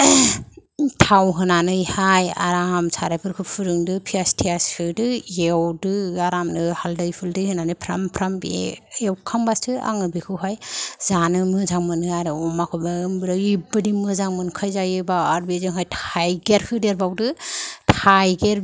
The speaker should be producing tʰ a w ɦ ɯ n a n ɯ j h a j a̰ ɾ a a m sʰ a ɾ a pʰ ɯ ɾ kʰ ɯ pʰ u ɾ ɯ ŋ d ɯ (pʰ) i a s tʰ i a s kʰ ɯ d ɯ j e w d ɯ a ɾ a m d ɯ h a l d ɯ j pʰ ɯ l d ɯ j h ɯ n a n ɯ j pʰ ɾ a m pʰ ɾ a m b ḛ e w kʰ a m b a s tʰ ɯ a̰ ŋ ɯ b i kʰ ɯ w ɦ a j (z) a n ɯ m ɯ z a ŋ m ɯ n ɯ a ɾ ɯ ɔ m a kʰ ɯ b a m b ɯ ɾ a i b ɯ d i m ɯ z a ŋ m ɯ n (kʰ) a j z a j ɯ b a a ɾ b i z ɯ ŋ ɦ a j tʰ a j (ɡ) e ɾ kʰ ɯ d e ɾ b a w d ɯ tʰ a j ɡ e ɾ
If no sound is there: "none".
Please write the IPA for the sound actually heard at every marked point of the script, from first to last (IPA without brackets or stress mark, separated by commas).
pʰ, z, kʰ, ɡ